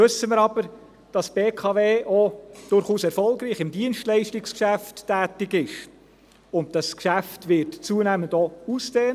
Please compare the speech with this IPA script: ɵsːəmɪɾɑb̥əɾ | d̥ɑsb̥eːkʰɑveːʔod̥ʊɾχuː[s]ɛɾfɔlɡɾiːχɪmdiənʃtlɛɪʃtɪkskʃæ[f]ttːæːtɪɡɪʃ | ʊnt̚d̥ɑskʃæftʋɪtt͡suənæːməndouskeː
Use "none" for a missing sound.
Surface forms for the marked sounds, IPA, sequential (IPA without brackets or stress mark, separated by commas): s, f